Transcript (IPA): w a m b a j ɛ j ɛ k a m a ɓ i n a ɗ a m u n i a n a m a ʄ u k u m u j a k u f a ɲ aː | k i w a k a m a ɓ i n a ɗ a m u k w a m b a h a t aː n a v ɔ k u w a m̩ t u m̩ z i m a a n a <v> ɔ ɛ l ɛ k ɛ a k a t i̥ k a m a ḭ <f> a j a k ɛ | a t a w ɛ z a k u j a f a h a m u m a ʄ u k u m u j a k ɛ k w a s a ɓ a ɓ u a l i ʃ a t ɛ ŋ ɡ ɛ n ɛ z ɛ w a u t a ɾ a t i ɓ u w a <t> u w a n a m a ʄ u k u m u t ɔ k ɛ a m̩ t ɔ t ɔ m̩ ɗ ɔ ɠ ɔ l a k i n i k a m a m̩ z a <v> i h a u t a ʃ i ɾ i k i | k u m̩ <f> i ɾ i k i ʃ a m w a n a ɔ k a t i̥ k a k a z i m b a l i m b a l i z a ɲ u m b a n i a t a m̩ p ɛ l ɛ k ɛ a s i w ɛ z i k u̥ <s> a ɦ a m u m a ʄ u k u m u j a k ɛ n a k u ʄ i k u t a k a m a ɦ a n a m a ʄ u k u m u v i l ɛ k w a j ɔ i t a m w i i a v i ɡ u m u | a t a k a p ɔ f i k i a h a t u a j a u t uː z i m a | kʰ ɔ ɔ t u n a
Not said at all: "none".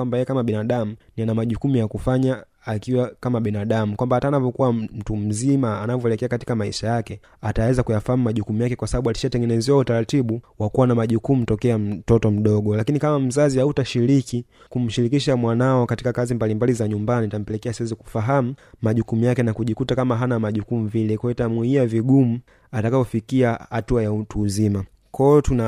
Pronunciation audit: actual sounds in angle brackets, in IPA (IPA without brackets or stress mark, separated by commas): v, ʃ, k, z, ʃ, f